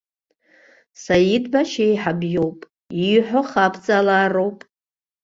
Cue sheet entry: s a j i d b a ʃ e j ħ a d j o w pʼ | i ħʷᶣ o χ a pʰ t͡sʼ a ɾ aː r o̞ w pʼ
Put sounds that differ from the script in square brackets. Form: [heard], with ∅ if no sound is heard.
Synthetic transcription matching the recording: s a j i d b a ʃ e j ħ a [b] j o w pʼ | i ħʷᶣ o χ a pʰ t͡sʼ a [l] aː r o̞ w pʼ